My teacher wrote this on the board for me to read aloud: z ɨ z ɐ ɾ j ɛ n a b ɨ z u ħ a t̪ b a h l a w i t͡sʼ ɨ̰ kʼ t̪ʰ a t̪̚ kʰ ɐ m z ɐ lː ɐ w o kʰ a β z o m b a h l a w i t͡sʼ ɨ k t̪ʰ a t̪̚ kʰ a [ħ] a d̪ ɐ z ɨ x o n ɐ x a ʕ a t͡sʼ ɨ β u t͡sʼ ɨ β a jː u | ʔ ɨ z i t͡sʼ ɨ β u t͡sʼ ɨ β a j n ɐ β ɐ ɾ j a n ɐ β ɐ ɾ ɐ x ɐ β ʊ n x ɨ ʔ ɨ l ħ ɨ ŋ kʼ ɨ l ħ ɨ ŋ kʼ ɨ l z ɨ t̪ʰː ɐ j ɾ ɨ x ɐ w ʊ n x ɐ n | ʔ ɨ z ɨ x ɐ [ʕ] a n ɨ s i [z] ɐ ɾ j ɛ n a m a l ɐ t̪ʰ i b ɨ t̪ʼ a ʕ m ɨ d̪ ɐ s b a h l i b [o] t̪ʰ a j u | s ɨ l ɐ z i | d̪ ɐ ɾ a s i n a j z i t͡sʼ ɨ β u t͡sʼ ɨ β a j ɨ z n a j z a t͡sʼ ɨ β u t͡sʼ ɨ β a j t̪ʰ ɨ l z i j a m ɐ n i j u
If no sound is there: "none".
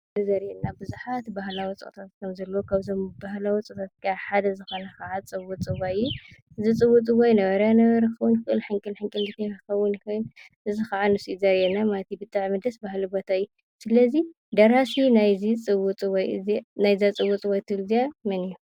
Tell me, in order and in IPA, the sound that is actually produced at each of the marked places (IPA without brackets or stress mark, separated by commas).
ħ, ʕ, z, o